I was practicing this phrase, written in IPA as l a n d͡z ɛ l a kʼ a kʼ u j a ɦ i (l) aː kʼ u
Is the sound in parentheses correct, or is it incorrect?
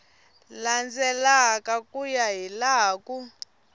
correct